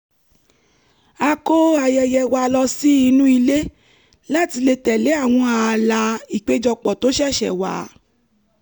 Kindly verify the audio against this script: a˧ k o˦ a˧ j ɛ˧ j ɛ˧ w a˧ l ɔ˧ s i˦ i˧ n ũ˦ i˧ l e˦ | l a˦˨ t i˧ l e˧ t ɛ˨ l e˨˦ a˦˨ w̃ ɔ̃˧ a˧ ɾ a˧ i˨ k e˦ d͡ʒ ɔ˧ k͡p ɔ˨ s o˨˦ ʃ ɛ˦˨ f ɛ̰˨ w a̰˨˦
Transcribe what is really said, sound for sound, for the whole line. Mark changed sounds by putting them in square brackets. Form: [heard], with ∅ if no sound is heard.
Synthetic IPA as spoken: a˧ k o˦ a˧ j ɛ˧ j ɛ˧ w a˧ l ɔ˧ s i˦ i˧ n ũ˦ i˧ l e˦ | l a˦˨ t i˧ l e˧ t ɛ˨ l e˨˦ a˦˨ w̃ ɔ̃˧ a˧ [l] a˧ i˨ [k͡p] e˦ d͡ʒ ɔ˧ k͡p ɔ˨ [t] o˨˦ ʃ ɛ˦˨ [ʃ] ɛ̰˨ w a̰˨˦